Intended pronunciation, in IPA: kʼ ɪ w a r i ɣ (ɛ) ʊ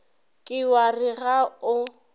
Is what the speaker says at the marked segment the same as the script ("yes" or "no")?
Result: no